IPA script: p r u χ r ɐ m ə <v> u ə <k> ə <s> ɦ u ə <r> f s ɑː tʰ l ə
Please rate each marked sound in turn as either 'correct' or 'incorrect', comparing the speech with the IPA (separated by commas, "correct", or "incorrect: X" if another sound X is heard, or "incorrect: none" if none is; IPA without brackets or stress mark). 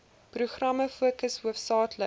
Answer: incorrect: f, correct, correct, incorrect: none